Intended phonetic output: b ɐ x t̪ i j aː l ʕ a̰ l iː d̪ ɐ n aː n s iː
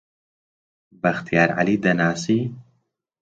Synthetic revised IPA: b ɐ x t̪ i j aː ɾ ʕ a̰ l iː d̪ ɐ n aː s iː